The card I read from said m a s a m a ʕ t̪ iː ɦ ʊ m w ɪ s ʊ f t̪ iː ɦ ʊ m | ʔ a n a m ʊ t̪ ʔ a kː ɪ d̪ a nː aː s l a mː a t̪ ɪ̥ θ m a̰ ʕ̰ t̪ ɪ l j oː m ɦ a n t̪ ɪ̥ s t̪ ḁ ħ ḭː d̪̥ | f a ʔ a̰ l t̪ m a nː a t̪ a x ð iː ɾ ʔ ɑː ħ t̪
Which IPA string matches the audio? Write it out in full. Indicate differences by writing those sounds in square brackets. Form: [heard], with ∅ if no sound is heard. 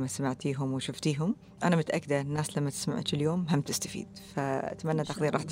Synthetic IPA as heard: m a s a m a ʕ t̪ iː ɦ ʊ m w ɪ [ʃ] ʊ f t̪ iː ɦ ʊ m | ʔ a n a m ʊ t̪ ʔ a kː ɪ d̪ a nː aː s l a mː a t̪ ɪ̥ [s] m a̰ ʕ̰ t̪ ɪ l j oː m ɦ a [m] t̪ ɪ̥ s t̪ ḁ [f] ḭː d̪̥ | f a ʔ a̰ [∅] t̪ m a nː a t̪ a x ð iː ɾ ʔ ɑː ħ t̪